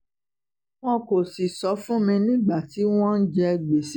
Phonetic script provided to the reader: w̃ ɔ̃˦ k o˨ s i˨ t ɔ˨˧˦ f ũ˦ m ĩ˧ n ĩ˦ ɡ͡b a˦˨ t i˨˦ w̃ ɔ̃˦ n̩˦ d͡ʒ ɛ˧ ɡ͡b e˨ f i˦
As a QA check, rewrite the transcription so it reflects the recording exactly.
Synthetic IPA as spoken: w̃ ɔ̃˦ k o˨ s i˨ s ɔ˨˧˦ f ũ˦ m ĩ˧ n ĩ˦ ɡ͡b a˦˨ t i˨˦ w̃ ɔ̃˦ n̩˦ d͡ʒ ɛ˧ ɡ͡b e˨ s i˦